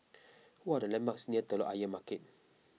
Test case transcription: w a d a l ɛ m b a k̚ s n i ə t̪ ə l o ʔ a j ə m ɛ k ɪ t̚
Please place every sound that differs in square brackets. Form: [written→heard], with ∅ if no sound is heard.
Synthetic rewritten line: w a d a l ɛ m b a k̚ s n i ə t̪ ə l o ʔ a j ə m [ɛ→a] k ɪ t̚